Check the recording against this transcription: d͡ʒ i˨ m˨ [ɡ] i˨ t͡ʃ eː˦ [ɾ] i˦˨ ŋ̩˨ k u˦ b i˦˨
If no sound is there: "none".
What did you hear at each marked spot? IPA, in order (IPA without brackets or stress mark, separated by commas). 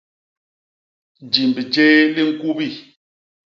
b, l